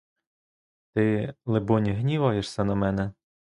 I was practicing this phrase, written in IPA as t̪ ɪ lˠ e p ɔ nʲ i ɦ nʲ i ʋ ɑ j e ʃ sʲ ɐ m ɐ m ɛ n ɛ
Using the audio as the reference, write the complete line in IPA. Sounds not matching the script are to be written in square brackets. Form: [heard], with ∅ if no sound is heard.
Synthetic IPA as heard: t̪ ɪ lˠ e [b] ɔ nʲ i ɦ nʲ i ʋ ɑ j e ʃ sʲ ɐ [n] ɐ m ɛ n ɛ